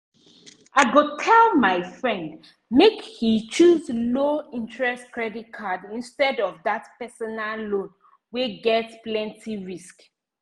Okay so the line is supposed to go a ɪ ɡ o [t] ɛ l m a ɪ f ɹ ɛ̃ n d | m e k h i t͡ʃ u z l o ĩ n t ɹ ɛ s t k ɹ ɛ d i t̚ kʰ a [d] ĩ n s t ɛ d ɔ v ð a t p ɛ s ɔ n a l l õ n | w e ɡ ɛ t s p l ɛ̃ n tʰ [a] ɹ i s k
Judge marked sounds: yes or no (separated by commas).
no, yes, no